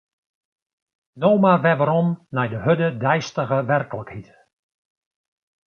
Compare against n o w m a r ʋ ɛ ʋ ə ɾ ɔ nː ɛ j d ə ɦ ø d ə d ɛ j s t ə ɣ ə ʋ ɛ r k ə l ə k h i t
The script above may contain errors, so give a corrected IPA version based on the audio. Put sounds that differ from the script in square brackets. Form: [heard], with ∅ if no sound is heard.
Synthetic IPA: n o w m a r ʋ ɛ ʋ ə ɾ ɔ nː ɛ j d ə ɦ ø d ə d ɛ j s t ə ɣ ə ʋ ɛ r k ə l ə k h i t